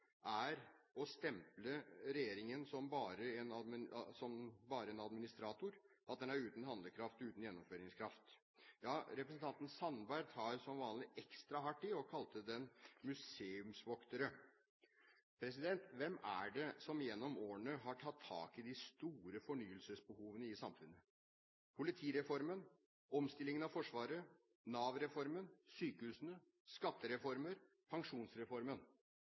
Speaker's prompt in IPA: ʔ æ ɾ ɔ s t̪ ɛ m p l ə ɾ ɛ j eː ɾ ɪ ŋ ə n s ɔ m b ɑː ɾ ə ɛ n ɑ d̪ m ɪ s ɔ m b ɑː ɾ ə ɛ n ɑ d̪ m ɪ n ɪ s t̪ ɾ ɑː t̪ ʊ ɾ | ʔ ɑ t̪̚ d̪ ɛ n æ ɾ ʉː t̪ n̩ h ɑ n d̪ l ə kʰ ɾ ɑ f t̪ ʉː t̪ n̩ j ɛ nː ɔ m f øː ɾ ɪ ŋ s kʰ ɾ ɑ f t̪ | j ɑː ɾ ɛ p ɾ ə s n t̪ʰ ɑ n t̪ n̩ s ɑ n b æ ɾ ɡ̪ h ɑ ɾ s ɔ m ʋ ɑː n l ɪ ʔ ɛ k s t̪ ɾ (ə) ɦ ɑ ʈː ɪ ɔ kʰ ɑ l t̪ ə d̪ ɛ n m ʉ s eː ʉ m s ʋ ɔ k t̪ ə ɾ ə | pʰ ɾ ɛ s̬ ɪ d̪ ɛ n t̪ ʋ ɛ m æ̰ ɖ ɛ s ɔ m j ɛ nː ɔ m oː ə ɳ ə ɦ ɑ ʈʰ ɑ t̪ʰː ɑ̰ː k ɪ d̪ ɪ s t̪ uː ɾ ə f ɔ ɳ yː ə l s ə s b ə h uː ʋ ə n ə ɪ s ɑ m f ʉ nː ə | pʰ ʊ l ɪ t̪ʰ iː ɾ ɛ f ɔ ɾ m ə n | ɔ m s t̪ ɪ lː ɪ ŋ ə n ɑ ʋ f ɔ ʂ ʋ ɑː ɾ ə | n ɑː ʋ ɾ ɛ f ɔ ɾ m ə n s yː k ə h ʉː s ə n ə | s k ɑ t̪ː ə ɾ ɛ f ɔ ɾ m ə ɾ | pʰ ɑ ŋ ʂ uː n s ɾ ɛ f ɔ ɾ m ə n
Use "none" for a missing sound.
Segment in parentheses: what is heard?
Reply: ɑ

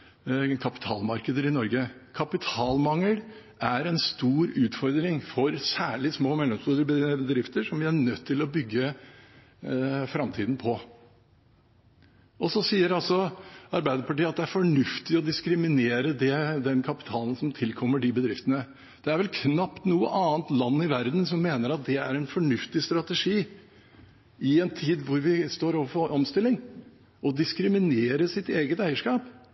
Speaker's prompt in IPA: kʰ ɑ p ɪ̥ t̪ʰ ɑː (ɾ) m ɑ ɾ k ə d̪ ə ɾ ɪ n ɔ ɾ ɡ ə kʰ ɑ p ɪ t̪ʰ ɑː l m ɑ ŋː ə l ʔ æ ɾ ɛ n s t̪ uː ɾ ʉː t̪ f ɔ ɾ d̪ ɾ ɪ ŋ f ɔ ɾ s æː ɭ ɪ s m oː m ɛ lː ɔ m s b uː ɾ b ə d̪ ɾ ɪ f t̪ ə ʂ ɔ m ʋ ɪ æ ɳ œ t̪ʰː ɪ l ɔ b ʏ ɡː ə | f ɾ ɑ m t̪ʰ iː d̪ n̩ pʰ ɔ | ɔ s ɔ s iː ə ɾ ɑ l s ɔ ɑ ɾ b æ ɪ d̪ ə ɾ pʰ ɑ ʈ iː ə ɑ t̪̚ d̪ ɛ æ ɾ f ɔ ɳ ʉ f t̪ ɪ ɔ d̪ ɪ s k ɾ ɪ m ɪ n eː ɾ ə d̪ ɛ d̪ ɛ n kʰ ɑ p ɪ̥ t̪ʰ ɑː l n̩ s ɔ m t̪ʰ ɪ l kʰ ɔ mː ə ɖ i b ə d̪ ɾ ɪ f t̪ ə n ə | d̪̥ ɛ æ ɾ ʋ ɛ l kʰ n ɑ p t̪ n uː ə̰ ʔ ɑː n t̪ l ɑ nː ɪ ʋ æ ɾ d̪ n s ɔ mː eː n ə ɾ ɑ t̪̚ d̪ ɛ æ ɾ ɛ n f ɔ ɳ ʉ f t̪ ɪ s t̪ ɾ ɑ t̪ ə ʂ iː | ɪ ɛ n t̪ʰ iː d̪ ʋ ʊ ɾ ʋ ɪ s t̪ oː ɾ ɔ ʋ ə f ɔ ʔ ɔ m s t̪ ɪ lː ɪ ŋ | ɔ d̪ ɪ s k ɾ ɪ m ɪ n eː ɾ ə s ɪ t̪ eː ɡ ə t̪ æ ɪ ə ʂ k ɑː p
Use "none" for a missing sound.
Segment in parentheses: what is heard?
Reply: l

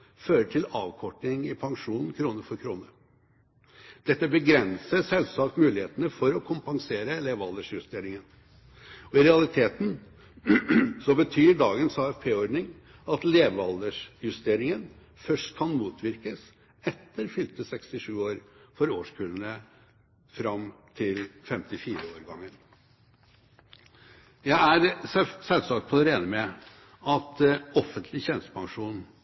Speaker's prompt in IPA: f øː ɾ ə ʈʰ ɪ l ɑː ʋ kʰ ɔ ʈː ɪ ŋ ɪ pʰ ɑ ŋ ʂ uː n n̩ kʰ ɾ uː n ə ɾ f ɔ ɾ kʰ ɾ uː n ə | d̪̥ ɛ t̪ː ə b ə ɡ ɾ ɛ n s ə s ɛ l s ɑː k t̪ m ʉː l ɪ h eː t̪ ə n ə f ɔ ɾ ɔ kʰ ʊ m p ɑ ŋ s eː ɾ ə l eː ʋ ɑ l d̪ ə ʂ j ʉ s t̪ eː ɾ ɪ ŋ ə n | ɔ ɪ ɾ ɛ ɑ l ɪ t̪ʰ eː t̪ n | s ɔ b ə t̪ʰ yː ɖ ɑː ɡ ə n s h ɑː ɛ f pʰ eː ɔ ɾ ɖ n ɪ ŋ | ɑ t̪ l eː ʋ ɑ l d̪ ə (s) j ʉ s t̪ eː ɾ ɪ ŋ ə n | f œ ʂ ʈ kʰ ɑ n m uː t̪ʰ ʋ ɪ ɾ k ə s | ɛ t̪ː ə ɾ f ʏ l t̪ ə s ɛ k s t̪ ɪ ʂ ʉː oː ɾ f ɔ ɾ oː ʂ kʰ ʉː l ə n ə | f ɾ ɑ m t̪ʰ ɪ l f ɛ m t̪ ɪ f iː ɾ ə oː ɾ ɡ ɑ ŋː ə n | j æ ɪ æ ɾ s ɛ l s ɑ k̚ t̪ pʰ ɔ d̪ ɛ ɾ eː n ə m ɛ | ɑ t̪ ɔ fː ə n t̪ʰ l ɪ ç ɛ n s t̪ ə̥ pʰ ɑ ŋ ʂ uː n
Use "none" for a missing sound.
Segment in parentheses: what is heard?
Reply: ʂ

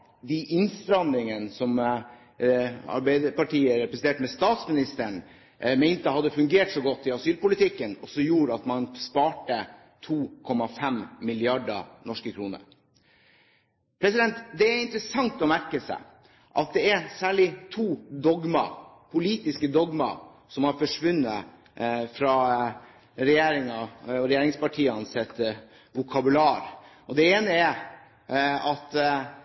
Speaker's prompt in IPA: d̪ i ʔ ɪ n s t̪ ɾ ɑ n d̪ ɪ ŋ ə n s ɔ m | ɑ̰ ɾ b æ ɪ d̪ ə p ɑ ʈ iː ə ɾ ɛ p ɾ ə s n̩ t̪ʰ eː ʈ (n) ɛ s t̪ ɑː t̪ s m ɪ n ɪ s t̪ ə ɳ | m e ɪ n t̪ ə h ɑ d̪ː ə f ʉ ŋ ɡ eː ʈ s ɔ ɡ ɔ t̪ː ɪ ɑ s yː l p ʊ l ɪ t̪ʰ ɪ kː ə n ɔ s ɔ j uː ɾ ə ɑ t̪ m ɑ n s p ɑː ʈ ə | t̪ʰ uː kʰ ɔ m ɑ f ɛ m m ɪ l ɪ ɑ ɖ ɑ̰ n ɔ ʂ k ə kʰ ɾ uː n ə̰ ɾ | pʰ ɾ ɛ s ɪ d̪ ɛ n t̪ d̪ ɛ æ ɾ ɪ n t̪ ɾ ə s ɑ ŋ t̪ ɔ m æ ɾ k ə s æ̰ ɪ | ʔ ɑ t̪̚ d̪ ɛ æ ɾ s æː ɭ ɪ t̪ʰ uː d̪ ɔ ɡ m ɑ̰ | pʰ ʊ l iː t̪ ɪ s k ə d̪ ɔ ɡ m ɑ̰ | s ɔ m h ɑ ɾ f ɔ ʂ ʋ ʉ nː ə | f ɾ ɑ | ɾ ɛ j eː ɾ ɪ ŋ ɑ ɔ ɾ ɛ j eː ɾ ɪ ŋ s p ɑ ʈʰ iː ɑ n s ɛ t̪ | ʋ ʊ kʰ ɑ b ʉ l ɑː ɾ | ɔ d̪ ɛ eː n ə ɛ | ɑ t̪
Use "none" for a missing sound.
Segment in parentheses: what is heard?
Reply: m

